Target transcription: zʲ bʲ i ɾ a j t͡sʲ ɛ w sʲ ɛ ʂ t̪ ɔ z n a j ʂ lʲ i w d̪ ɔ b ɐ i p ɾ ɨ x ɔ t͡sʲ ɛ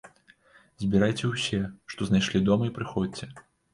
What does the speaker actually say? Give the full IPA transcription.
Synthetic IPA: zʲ bʲ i ɾ a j t͡sʲ ɛ w sʲ ɛ ʂ t̪ ɔ z n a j ʂ lʲ i d̪ ɔ m ɐ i p ɾ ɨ x ɔ t͡sʲ ɛ